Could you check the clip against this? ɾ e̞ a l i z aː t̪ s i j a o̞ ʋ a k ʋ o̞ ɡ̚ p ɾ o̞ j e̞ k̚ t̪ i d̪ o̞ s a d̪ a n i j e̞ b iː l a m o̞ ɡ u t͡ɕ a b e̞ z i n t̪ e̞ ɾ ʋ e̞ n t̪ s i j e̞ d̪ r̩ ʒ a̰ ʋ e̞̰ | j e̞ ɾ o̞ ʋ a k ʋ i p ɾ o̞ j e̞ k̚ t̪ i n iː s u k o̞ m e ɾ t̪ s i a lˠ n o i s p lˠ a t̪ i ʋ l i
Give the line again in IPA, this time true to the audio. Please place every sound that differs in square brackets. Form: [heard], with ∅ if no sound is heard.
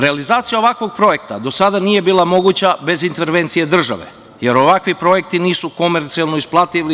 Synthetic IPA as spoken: ɾ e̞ a l i z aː t̪ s i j a o̞ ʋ a k ʋ o̞ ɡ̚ p ɾ o̞ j e̞ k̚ t̪ [a] d̪ o̞ s a d̪ a n i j e̞ b iː l a m o̞ ɡ u t͡ɕ a b e̞ z i n t̪ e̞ ɾ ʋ e̞ n t̪ s i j e̞ d̪ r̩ ʒ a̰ ʋ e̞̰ | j e̞ ɾ o̞ ʋ a k ʋ i p ɾ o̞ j e̞ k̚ t̪ i n iː s u k o̞ m e ɾ t̪ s i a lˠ n o i s p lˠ a t̪ i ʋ l i